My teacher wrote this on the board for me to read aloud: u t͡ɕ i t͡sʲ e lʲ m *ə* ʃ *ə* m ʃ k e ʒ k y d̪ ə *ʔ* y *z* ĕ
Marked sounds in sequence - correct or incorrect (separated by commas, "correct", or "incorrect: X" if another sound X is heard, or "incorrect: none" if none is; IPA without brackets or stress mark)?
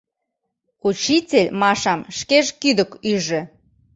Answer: incorrect: ɑ, incorrect: ɑ, incorrect: k, incorrect: ʒ